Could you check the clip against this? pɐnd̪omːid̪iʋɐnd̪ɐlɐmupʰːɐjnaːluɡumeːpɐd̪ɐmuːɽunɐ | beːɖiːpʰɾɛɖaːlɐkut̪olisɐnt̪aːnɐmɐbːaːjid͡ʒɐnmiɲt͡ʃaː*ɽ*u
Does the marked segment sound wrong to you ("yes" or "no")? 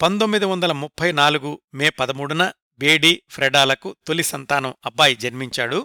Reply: no